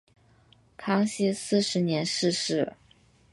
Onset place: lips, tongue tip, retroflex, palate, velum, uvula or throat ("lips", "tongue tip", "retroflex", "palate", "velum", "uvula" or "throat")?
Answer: velum